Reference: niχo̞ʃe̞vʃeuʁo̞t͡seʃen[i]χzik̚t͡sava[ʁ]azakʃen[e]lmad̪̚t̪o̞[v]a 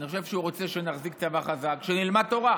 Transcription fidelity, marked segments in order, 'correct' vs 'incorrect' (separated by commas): incorrect, incorrect, incorrect, incorrect